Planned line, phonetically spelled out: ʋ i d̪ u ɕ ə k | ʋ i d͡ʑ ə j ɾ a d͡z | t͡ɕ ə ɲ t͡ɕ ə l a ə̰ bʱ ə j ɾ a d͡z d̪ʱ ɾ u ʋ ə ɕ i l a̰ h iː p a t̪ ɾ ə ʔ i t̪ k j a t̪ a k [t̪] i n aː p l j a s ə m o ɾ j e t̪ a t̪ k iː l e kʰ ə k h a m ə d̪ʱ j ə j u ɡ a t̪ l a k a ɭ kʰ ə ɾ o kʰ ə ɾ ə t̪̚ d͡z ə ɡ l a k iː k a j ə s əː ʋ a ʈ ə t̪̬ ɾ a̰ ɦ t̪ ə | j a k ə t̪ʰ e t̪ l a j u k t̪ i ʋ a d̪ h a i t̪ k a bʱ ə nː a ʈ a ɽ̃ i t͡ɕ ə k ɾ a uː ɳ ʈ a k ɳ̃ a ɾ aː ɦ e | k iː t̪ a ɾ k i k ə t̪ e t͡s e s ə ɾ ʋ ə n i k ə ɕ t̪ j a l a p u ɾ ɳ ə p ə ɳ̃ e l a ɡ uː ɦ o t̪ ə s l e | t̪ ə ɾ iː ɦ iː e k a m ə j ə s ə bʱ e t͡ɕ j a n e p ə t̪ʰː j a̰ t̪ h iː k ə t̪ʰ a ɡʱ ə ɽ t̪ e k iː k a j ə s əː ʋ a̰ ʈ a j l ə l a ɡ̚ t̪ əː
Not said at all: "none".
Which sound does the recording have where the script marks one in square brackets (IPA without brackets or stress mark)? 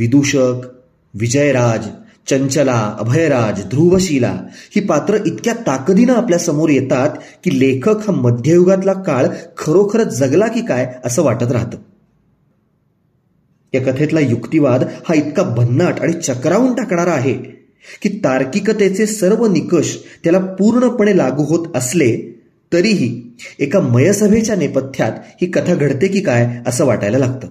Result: d̪